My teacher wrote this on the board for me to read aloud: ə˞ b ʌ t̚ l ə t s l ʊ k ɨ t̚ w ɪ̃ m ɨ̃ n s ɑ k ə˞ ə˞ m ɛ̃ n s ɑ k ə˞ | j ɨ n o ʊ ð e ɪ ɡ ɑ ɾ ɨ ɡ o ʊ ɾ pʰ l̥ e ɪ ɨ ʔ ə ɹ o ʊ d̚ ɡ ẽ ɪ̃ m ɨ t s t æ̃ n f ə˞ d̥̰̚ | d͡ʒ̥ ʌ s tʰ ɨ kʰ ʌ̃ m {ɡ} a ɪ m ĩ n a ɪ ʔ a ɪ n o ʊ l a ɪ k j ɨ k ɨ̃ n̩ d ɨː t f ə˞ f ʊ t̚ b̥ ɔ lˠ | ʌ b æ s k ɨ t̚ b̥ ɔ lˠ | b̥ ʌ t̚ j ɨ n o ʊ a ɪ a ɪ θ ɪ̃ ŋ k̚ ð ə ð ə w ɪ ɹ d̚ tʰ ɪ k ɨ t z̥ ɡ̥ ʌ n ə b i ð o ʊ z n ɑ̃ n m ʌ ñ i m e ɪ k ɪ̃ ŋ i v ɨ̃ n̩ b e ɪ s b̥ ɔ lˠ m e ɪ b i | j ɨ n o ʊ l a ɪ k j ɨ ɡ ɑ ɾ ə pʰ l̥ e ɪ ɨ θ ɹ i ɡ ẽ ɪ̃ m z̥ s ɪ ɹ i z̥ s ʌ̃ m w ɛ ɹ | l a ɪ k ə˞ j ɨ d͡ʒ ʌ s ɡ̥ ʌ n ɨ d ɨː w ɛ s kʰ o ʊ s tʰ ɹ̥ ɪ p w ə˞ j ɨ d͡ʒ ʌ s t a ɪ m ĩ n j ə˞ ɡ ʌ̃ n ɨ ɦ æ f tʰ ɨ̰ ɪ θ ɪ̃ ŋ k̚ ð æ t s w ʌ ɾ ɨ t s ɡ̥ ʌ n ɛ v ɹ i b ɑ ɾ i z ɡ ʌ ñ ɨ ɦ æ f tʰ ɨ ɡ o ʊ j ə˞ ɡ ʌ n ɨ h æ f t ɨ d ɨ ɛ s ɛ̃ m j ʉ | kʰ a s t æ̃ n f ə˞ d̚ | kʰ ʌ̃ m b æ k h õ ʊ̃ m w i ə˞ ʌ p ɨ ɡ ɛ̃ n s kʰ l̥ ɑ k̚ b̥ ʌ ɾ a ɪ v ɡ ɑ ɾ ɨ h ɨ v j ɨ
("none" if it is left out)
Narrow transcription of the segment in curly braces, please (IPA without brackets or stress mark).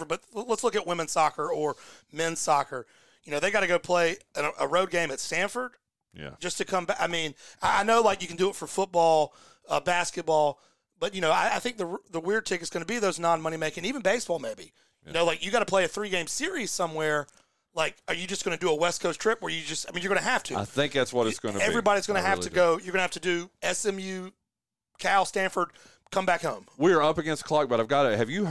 b